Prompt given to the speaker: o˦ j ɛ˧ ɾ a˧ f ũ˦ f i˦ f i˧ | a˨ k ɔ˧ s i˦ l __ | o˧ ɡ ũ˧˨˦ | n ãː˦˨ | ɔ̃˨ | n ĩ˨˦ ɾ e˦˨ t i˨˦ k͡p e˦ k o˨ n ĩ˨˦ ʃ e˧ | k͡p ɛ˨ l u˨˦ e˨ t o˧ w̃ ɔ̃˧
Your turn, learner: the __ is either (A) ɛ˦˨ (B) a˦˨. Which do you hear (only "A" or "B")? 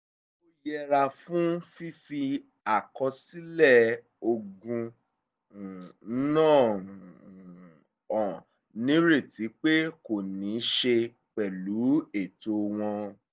A